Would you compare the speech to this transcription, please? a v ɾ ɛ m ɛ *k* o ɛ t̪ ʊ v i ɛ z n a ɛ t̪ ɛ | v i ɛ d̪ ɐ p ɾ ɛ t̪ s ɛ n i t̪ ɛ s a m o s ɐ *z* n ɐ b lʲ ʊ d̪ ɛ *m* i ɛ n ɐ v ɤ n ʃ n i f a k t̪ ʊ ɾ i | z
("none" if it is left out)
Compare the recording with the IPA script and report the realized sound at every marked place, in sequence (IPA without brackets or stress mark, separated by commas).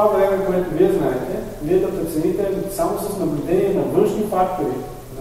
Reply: k, s, n